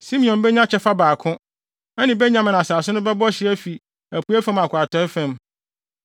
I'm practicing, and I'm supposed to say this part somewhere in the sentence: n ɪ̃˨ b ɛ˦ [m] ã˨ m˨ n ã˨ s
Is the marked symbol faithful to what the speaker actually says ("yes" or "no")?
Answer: no